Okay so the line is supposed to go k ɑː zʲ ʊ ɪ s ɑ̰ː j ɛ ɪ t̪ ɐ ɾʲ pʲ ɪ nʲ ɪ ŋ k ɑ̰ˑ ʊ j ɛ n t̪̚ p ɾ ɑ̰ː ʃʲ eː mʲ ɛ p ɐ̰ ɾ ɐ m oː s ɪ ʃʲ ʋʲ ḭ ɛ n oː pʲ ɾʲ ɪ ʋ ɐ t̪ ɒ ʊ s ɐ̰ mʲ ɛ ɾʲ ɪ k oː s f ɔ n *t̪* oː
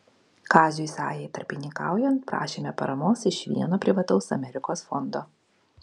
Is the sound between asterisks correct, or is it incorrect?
incorrect